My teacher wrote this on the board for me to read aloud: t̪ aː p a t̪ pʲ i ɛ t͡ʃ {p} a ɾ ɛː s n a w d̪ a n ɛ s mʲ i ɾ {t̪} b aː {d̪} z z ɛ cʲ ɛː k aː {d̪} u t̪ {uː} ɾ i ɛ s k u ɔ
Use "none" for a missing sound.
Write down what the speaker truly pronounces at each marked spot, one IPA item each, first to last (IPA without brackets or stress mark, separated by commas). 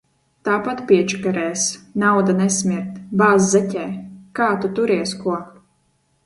k, t̪, none, t̪, u